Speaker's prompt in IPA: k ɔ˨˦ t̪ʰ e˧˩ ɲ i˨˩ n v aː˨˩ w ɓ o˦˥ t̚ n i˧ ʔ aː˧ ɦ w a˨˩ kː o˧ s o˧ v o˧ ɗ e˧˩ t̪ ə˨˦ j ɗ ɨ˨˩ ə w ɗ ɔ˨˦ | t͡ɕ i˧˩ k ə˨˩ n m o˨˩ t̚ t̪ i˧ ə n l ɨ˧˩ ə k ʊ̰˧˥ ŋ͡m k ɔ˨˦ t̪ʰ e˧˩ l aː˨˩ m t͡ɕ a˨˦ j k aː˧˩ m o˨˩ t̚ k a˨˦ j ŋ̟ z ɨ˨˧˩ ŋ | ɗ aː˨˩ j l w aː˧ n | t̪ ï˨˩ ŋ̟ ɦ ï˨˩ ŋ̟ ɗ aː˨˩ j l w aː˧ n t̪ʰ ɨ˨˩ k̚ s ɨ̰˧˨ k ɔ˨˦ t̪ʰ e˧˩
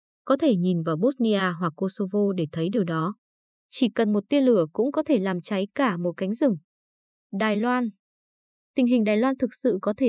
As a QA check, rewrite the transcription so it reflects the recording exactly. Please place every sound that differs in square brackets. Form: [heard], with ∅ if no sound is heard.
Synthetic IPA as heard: k ɔ˨˦ t̪ʰ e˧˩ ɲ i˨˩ n v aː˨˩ w ɓ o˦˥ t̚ n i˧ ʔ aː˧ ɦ w a˨˩ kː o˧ s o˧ v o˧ ɗ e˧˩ [t̪ʰ] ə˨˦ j ɗ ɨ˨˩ ə w ɗ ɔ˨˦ | t͡ɕ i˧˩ k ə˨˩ n m o˨˩ t̚ t̪ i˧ ə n l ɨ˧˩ ə k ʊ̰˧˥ ŋ͡m k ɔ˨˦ t̪ʰ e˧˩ l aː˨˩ m t͡ɕ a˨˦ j k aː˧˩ m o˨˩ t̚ k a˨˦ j ŋ̟ z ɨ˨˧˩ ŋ | ɗ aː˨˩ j l w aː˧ n | t̪ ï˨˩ ŋ̟ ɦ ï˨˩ ŋ̟ ɗ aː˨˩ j l w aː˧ n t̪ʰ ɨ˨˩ k̚ s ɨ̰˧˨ k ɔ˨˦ t̪ʰ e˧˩